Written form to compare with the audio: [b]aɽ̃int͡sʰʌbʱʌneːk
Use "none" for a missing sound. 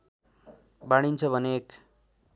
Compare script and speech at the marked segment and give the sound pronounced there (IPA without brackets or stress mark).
b